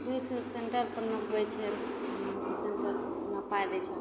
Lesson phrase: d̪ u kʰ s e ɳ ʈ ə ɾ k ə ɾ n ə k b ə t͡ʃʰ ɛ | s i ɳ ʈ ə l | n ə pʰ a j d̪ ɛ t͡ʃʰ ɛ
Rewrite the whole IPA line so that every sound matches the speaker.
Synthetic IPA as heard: d̪ u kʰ s e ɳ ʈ ə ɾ p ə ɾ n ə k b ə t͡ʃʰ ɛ | s e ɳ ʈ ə ɾ | n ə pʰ a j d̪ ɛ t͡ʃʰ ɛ